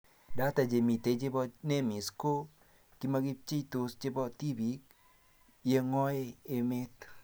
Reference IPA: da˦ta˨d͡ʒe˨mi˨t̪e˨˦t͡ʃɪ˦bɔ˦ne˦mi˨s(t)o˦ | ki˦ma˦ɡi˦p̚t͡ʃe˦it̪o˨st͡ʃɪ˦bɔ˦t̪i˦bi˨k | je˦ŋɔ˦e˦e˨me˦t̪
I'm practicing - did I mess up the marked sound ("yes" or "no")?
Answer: yes